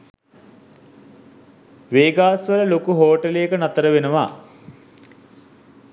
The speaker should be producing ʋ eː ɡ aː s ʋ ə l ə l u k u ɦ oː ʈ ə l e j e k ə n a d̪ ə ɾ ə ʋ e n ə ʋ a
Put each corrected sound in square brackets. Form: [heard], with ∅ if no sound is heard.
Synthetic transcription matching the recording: ʋ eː ɡ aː s ʋ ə l ə l [o] k u ɦ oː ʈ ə l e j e k ə n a [t̪] ə ɾ ə ʋ e n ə ʋ a